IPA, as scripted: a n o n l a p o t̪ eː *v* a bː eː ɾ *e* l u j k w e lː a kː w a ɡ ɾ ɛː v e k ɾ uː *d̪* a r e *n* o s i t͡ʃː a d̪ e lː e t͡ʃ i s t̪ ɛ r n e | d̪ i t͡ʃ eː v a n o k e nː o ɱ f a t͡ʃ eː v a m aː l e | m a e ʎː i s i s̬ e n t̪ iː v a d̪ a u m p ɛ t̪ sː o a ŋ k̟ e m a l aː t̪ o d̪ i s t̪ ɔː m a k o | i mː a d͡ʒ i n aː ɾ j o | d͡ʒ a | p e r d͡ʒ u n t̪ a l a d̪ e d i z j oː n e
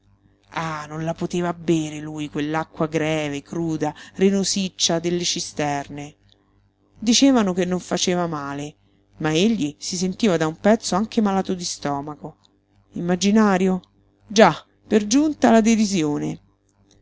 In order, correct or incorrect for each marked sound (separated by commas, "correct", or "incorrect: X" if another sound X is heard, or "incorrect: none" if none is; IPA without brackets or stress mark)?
correct, correct, correct, correct